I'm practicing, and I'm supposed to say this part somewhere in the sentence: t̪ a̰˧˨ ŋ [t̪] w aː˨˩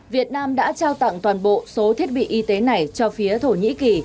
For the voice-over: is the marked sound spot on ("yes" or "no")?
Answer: yes